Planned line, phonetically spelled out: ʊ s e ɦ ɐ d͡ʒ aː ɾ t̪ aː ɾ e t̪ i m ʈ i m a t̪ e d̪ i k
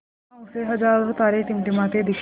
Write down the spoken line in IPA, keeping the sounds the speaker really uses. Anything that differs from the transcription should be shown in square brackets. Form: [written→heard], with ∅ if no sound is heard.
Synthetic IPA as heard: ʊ s e ɦ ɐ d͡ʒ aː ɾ t̪ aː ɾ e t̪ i m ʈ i m a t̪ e d̪ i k